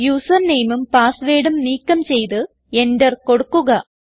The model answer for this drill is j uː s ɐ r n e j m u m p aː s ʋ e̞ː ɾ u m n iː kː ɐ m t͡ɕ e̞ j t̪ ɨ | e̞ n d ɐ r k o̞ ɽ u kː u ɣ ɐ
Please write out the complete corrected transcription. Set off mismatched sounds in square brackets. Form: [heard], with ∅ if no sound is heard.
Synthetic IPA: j uː s ɐ r n e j m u m p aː s ʋ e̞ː [ɽ] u m n iː kː ɐ m t͡ɕ e̞ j t̪ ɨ | e̞ n d ɐ r k o̞ ɽ u kː u ɣ ɐ